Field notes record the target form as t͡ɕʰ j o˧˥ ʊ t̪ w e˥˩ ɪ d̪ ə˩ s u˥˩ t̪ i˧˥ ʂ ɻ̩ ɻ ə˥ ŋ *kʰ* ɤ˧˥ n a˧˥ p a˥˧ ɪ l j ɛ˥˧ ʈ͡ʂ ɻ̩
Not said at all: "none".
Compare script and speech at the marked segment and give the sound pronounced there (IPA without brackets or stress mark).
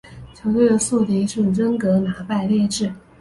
k